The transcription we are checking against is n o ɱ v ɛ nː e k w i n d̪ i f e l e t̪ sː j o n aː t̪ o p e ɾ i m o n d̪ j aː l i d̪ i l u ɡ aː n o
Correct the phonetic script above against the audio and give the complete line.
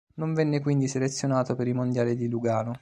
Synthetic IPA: n o ɱ v ɛ nː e k w i n d̪ i s e l e t̪ sː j o n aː t̪ o p e ɾ i m o n d̪ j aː l i d̪ i l u ɡ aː n o